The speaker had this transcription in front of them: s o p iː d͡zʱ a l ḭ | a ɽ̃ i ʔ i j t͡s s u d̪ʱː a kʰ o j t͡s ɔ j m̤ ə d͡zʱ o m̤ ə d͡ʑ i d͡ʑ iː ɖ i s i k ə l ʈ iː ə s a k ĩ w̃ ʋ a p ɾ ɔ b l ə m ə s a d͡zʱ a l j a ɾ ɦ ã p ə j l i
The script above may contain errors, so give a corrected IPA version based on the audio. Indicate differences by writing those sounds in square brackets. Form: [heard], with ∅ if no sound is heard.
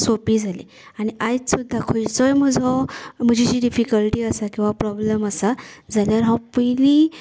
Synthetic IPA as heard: s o p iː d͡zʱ a l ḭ | a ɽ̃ i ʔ [a] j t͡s s u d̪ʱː a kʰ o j t͡s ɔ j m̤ ə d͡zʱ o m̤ ə d͡ʑ i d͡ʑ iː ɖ i [f] i k ə l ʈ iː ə s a k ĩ w̃ ʋ a p ɾ ɔ b l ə m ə s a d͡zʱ a l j a ɾ ɦ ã p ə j l i